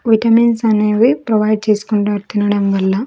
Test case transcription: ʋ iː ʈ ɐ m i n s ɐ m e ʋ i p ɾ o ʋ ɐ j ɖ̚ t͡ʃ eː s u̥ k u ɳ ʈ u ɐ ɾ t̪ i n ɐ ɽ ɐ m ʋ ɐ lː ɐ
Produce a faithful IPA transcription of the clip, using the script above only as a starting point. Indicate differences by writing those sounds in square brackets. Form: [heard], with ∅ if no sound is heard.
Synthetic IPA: ʋ [i] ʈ ɐ m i n s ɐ [n] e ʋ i p ɾ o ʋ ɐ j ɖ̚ t͡ʃ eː s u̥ k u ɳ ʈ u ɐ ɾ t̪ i n ɐ ɽ ɐ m ʋ ɐ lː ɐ